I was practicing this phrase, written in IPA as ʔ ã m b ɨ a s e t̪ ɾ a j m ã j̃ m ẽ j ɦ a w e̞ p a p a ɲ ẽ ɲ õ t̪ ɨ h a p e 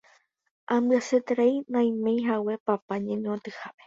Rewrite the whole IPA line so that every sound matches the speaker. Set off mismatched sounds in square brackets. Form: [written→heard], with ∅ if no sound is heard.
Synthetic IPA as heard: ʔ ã m b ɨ a s e t̪ ɾ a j [m→n] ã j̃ m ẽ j ɦ a w e̞ p a p a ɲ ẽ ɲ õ t̪ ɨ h a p e